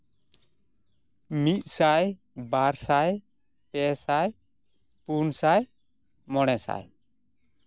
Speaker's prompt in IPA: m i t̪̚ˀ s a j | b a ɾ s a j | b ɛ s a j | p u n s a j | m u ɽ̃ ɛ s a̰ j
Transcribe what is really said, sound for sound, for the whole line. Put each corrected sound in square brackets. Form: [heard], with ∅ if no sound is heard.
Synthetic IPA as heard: m i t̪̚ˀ s a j | b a ɾ s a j | [p] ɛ s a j | p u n s a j | m [ɔ] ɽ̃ ɛ s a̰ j